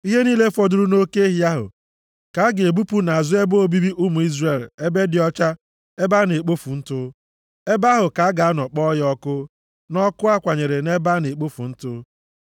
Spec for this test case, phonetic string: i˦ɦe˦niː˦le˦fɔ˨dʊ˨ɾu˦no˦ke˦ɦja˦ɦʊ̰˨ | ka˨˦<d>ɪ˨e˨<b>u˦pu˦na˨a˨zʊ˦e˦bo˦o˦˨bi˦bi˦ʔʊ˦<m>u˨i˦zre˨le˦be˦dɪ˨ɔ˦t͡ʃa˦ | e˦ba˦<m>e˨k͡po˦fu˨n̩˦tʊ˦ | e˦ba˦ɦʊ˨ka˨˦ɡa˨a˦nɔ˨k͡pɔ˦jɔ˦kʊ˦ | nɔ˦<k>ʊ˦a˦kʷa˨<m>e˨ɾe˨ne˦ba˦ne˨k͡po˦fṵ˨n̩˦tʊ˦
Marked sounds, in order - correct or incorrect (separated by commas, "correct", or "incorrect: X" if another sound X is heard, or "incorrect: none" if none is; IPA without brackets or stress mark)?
incorrect: ɡ, correct, correct, incorrect: n, correct, incorrect: ɲ